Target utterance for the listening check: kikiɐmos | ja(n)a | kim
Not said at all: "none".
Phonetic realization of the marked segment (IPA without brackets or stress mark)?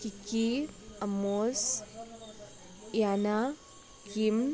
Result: n